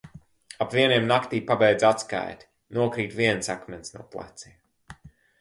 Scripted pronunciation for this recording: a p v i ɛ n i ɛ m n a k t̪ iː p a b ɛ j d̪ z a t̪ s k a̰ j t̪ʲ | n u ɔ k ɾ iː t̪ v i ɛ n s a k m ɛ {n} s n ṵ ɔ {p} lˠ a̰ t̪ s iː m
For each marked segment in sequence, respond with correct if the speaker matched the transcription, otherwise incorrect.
correct, correct

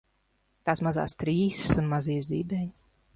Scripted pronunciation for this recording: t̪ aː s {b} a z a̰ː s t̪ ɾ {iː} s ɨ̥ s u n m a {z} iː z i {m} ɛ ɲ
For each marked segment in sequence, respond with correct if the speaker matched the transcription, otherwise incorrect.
incorrect: m, correct, correct, incorrect: b

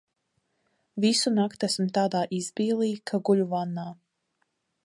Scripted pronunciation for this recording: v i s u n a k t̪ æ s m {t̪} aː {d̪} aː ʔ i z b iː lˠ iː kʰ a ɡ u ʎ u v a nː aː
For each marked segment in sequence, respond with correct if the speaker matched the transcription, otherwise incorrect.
correct, correct

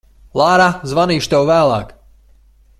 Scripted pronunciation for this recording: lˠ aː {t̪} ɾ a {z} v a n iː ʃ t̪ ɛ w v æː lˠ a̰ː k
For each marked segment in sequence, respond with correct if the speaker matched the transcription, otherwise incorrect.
incorrect: none, correct

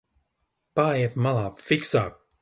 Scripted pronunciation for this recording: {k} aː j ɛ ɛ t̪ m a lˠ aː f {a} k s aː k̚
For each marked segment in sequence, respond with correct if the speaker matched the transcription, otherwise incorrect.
incorrect: p, incorrect: i

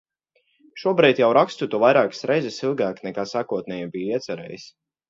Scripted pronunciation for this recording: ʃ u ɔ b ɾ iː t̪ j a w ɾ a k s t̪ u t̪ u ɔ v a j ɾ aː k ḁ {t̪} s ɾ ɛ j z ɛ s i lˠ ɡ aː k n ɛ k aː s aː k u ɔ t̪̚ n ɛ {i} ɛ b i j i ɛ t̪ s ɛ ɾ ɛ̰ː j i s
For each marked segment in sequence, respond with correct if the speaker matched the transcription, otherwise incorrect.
incorrect: none, incorrect: j

